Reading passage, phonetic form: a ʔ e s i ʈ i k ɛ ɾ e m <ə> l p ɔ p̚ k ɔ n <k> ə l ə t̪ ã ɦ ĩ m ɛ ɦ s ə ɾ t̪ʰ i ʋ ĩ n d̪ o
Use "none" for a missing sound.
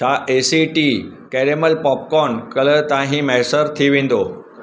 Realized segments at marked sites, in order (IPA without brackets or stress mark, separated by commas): ə, k